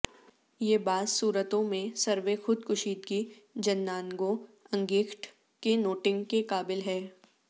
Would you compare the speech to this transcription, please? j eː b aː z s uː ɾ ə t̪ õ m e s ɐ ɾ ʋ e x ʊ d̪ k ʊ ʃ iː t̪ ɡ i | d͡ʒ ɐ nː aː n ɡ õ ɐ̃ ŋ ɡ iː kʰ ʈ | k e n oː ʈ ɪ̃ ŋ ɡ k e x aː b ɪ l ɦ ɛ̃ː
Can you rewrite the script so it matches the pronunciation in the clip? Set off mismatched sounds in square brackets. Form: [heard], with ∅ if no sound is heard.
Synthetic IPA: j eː b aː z s uː ɾ ə t̪ õ m [ẽ] s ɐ ɾ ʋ e x ʊ d̪ k ʊ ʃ iː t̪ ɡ i | d͡ʒ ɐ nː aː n ɡ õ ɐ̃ ŋ ɡ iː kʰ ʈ | k e n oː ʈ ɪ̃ ŋ ɡ k e [k] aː b ɪ l ɦ [ɛː]